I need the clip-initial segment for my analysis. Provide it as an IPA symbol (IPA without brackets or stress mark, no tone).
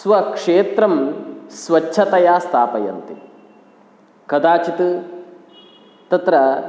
s